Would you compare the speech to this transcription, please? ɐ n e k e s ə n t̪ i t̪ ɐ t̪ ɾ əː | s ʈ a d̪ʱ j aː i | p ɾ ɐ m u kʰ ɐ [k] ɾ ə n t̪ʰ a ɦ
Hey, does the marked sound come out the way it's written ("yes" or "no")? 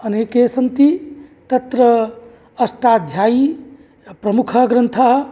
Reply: no